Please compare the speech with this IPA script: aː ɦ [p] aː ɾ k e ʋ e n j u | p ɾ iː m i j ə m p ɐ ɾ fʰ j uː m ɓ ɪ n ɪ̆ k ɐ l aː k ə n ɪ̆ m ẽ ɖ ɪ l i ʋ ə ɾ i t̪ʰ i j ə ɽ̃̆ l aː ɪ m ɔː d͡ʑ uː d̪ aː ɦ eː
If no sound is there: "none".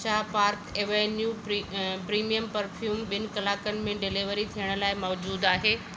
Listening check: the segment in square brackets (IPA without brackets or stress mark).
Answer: p